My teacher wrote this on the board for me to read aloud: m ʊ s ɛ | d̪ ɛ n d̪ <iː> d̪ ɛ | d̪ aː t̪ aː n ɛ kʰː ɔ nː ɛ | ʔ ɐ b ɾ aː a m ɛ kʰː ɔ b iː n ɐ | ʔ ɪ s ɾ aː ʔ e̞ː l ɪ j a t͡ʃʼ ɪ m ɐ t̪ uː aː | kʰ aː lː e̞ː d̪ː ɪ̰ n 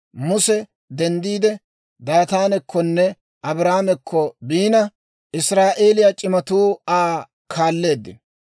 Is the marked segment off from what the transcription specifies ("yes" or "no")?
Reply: no